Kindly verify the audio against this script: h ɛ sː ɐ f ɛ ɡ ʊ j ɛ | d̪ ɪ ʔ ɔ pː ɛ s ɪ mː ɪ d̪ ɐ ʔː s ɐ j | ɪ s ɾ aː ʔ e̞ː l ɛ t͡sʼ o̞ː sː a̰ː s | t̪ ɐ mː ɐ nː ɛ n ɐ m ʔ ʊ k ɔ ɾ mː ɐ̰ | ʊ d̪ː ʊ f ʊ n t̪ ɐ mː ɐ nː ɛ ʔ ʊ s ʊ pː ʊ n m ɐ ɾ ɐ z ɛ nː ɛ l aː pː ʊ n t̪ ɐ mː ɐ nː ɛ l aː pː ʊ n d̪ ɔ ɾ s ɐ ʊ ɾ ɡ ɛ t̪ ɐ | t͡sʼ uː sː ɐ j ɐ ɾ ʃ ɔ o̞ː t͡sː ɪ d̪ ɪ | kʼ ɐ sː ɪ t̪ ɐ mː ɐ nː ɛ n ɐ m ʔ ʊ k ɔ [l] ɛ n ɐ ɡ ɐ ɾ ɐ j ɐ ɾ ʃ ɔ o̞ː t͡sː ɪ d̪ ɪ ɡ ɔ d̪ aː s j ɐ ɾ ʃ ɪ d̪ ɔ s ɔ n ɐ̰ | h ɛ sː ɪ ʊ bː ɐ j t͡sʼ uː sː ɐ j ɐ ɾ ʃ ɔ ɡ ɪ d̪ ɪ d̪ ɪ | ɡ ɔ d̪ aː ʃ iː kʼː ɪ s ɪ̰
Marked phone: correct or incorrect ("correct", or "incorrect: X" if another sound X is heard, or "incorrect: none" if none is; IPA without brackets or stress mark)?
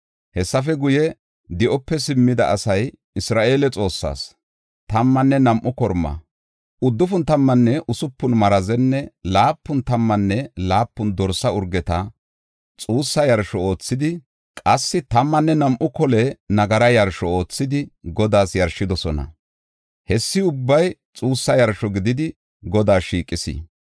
correct